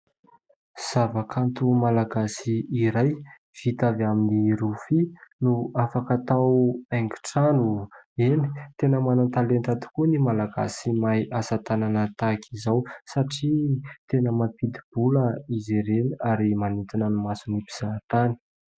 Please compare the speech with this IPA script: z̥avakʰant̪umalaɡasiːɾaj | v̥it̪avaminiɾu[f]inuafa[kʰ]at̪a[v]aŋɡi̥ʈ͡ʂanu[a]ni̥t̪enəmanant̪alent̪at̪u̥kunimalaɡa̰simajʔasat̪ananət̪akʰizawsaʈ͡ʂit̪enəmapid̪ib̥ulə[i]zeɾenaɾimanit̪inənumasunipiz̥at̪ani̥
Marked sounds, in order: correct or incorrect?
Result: correct, incorrect, incorrect, incorrect, correct

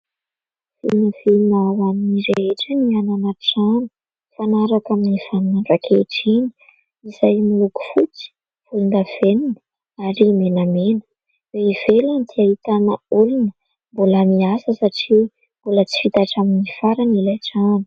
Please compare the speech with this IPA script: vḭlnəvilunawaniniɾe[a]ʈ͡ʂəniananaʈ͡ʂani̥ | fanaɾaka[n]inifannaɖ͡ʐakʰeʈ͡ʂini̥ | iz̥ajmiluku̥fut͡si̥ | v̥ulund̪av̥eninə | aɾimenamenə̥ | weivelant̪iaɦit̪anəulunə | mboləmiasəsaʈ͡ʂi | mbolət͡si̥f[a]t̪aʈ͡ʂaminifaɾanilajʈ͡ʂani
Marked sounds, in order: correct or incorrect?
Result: incorrect, incorrect, incorrect

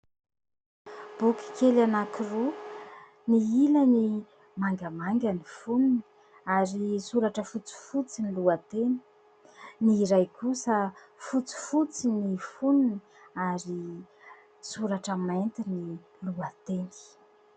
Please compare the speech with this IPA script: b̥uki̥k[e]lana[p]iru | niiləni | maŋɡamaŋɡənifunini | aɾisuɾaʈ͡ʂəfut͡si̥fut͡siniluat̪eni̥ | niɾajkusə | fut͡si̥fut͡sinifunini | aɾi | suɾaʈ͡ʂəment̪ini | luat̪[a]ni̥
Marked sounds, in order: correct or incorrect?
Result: correct, incorrect, incorrect

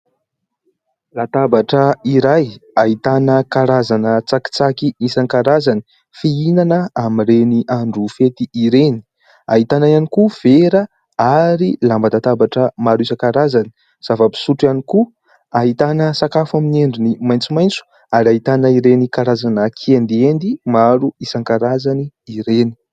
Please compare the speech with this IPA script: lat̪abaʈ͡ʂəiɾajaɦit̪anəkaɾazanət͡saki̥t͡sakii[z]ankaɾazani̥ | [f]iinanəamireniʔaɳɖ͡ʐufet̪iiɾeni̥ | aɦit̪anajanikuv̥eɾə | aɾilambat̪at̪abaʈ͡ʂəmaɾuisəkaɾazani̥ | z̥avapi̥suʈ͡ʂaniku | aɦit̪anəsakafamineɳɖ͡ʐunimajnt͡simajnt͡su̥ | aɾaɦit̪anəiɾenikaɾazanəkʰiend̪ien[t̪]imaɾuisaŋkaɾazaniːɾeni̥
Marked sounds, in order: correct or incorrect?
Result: incorrect, correct, incorrect

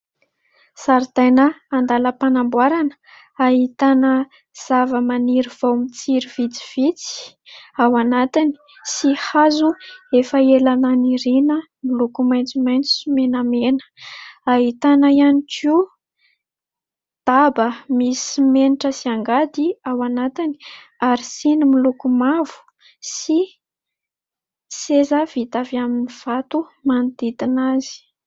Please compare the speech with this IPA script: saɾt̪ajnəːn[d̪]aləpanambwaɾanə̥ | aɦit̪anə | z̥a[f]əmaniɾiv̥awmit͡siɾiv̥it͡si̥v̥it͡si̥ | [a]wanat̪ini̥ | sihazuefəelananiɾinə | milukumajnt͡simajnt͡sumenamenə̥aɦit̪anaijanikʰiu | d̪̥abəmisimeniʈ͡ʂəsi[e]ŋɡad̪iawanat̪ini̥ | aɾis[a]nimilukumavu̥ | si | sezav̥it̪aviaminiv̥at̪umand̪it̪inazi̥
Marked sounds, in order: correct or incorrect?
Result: correct, incorrect, correct, incorrect, incorrect

